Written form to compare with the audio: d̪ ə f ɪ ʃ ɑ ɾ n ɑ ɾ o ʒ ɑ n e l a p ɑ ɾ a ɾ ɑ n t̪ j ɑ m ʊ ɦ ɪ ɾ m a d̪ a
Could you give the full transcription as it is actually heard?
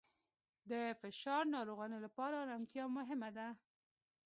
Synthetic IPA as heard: d̪ ə f ɪ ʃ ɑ ɾ n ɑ ɾ o ɣ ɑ n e l a p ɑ ɾ a ɾ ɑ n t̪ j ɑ m ʊ ɦ ɪ m a d̪ a

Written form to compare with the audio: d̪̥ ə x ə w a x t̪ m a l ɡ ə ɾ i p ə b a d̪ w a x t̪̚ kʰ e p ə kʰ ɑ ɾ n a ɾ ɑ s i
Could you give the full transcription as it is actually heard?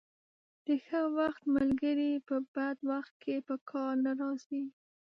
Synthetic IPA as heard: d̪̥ ə x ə w a x t̪ m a l ɡ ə ɾ i p ə b a d̪ w a x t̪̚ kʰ e p ə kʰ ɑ ɾ n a ɾ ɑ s i

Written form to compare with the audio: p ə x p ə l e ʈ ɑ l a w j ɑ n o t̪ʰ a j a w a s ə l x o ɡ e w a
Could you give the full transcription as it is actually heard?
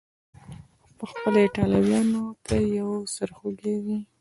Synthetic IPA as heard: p ə x p ə l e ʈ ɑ l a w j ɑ n o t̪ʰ a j a w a s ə ɾ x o ɡ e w i

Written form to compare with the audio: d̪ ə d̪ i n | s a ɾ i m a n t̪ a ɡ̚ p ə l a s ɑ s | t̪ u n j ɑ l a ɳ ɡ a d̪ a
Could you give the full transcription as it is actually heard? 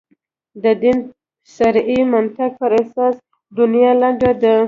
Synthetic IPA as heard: d̪ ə d̪ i n | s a ɾ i m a n t̪ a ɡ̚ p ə ɾ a s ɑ s | d̪ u n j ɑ l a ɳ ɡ a d̪ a

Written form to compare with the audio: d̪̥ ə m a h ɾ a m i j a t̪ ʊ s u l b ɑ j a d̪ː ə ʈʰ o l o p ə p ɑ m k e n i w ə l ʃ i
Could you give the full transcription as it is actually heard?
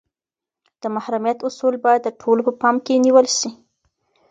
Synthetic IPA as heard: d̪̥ ə m a h ɾ a m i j a t̪ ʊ s u l b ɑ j a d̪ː ə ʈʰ o l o p ə p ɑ m k e n i w ə l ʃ i

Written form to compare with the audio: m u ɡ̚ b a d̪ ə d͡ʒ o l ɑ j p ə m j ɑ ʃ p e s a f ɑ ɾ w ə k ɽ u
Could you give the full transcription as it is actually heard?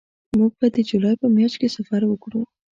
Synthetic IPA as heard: m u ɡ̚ b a d̪ ə d͡ʒ u l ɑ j p ə m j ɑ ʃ k e s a f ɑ ɾ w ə k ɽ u

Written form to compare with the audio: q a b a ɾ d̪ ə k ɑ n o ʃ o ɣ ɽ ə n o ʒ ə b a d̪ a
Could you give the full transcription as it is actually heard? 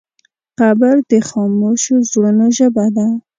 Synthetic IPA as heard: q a b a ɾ d̪ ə x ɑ m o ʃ o z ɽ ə n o ʒ ə b a d̪ a

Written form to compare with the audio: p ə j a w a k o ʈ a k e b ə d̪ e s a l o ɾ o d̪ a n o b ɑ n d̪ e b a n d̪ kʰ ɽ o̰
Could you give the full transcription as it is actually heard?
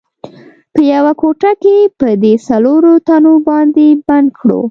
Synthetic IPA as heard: p ə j a w a k o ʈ a k e p ə d̪ e s a l o ɾ o t̪ a n o b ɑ n d̪ e b a n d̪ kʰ ɽ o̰

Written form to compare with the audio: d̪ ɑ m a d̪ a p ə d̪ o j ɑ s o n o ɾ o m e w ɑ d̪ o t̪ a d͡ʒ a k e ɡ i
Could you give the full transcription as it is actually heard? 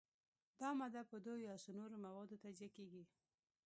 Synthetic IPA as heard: d̪ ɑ m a d̪ a p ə d̪ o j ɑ s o n o ɾ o m a w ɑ d̪ o t̪ a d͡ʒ a k e ɡ i

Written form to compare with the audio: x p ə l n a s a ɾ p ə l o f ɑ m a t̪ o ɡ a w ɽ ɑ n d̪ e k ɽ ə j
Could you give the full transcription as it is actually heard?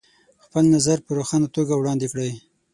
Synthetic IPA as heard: x p ə l n a z a ɾ p ə ɾ o x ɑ n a t̪ o ɡ a w ɽ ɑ n d̪ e k ɽ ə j

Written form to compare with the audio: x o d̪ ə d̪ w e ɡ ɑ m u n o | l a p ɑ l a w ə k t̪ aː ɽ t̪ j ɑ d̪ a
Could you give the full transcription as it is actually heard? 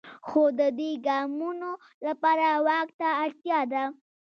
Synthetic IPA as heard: x o d̪ ə d̪ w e ɡ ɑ m u n o | l a p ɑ ɾ a w ɑ k t̪ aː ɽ t̪ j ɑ d̪ a

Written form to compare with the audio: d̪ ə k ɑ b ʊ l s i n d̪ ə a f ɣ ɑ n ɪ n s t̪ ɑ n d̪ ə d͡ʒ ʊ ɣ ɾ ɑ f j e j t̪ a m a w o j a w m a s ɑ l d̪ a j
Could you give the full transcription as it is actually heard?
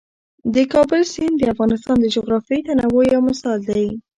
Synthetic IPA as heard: d̪ ə k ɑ b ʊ l s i n d̪ ə a f ɣ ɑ n ɪ s t̪ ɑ n d̪ ə d͡ʒ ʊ ɣ ɾ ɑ f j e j t̪ a n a w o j a w m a s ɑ l d̪ a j

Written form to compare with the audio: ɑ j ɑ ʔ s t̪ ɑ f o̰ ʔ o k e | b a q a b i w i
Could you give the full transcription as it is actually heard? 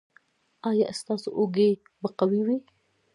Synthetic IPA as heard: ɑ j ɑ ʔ s t̪ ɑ s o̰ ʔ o ɡ e | b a q a w i w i

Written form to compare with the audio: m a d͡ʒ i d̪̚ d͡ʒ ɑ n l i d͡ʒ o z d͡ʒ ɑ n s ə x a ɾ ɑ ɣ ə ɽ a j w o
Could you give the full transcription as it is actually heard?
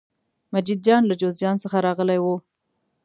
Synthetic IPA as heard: m a d͡ʒ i d̪̚ d͡ʒ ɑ n l a d͡ʒ o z d͡ʒ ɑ n s ə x a ɾ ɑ ɣ ə l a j w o

